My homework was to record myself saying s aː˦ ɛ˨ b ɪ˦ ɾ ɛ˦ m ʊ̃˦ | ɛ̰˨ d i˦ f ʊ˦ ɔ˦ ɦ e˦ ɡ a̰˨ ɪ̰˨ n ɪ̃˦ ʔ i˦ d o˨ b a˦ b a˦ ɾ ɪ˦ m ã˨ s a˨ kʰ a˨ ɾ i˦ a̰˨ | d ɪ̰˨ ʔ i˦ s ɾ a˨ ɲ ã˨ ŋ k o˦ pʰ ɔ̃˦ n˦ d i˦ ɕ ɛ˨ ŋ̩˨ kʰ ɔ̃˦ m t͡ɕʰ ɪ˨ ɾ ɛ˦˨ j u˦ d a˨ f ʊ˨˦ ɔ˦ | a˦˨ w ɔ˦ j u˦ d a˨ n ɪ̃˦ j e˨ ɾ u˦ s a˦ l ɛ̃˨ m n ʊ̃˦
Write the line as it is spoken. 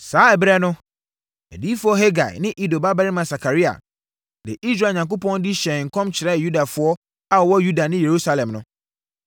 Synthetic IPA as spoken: s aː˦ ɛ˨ b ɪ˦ ɾ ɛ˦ n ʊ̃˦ | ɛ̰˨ d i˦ f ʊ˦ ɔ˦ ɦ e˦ ɡ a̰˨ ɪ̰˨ n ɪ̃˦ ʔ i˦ d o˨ b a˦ b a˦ ɾ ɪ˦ m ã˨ s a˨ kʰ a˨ ɾ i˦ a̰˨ | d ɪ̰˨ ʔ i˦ s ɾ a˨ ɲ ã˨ ŋ k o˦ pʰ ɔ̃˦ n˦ d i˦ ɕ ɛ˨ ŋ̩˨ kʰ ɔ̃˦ m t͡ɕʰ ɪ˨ ɾ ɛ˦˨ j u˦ d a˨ f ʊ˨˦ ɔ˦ | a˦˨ w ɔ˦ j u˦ d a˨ n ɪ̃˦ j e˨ ɾ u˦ s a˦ l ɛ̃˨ m n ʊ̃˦